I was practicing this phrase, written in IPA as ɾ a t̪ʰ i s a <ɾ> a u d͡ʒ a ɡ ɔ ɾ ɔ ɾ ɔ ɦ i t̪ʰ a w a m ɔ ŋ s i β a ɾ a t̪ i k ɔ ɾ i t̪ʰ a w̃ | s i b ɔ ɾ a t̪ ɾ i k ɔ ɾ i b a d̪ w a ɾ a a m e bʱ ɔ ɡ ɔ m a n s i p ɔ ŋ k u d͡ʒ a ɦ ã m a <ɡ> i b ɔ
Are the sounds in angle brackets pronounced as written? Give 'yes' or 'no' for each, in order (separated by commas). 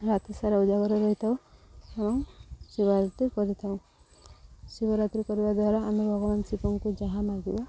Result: yes, yes